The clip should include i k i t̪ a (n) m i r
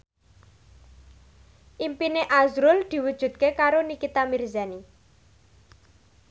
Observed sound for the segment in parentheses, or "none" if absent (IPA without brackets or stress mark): none